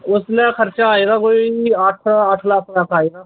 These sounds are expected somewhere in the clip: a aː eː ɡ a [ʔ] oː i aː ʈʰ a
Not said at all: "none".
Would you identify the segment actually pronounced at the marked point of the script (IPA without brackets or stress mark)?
k